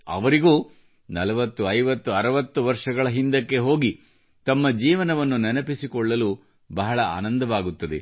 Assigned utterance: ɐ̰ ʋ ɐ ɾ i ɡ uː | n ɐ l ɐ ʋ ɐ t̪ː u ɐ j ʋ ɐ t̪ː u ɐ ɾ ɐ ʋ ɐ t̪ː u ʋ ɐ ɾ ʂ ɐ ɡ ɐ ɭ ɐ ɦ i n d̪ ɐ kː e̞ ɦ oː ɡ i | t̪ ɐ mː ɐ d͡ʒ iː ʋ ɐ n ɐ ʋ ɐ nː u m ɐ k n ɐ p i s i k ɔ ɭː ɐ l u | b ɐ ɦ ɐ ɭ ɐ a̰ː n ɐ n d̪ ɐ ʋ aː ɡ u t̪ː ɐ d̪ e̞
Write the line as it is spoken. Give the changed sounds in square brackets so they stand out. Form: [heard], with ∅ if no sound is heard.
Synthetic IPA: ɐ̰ ʋ ɐ ɾ i ɡ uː | n ɐ l ɐ ʋ ɐ t̪ː u ɐ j ʋ ɐ t̪ː u ɐ ɾ ɐ ʋ ɐ t̪ː u ʋ ɐ ɾ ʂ ɐ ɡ ɐ ɭ ɐ ɦ i n d̪ ɐ kː e̞ ɦ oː ɡ i | t̪ ɐ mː ɐ d͡ʒ iː ʋ ɐ n ɐ ʋ ɐ nː u [n] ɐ [∅] n ɐ p i s i k ɔ ɭː ɐ l u | b ɐ ɦ ɐ ɭ ɐ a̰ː n ɐ n d̪ ɐ ʋ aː ɡ u t̪ː ɐ d̪ e̞